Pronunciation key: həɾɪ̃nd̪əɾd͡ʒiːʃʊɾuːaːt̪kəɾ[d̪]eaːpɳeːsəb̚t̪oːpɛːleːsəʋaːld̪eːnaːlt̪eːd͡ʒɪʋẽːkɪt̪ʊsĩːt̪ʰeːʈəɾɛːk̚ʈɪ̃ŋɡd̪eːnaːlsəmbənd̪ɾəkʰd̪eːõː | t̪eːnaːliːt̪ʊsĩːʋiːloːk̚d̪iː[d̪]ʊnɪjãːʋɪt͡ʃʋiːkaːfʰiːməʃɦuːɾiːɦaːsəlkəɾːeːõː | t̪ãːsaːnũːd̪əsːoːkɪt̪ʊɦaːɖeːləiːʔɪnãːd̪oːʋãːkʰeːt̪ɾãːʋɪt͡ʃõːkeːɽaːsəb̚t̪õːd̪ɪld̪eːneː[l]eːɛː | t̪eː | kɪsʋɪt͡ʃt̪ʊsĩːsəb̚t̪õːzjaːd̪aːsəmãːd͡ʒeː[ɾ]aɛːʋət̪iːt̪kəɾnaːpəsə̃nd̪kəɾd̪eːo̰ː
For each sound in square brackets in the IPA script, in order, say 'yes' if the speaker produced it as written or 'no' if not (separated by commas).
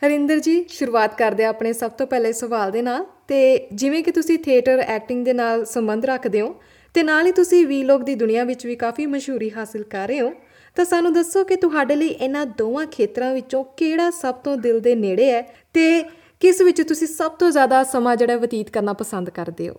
yes, yes, no, no